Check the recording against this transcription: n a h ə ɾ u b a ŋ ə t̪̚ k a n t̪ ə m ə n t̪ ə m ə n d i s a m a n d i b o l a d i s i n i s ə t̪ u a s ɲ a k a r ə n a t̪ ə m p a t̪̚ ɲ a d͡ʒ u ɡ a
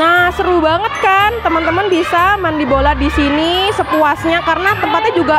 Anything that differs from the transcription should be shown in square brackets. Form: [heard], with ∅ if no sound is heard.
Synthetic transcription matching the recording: n a [s] ə ɾ u b a ŋ ə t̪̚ k a n t̪ ə m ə n t̪ ə m ə n [b] i s a m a n d i b o l a d i s i n i s ə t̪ u a s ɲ a k a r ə n a t̪ ə m p a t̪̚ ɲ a d͡ʒ u ɡ a